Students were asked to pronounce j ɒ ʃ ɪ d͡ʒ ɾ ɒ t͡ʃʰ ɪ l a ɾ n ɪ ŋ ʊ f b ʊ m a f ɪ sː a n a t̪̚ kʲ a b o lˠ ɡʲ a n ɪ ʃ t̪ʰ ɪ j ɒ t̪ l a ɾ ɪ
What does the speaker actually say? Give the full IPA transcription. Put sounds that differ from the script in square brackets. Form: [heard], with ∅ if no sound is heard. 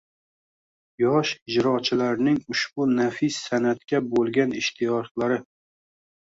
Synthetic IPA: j ɒ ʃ ɪ d͡ʒ ɾ ɒ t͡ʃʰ ɪ l a ɾ n ɪ ŋ ʊ [ʃ] b ʊ [n] a f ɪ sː a n a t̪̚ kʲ a b o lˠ ɡʲ a n ɪ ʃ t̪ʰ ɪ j ɒ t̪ l a ɾ ɪ